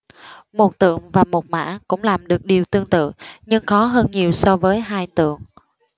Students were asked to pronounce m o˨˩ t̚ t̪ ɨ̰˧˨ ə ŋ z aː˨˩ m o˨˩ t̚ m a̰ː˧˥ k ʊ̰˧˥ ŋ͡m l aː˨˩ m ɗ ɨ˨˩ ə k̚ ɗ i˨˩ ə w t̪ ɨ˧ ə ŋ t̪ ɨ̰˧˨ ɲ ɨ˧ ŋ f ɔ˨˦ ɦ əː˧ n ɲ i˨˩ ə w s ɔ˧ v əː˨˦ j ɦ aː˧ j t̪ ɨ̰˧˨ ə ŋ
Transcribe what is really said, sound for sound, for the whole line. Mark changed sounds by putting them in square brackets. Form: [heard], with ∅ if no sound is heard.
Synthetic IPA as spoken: m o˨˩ t̚ t̪ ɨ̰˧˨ ə ŋ [v] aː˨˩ m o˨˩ t̚ m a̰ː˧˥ k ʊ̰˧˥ ŋ͡m l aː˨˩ m ɗ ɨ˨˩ ə k̚ ɗ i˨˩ ə w t̪ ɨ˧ ə ŋ t̪ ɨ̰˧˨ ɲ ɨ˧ ŋ [x] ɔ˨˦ ɦ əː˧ n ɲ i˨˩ ə w s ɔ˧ v əː˨˦ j ɦ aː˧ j t̪ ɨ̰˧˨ ə ŋ